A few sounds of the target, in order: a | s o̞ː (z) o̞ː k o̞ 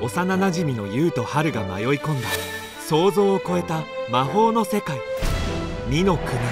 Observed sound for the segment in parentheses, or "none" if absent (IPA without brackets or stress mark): z